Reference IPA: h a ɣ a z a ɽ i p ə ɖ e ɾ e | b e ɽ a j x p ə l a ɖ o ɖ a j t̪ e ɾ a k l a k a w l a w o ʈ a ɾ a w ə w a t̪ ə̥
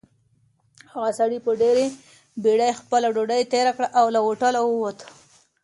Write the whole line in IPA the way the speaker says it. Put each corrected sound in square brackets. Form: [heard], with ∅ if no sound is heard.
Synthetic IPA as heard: h a ɣ a [s] a ɽ i p ə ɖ e ɾ e | b e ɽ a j x p ə l a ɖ o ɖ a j t̪ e ɾ a k [ɽ] a [ʔ] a w l a w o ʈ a [l] a w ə w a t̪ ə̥